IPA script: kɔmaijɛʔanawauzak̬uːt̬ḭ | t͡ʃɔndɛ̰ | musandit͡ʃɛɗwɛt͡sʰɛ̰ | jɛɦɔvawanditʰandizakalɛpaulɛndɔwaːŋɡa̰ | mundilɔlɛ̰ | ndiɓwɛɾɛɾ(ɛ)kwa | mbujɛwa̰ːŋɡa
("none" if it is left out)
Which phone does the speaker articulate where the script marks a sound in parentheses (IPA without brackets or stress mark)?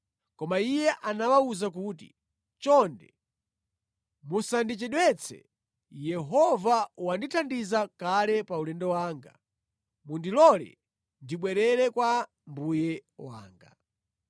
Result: ɛ